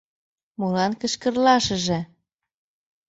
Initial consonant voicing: voiced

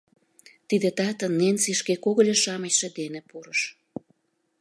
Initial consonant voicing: voiceless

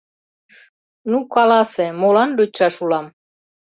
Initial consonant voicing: voiced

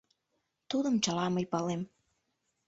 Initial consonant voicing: voiceless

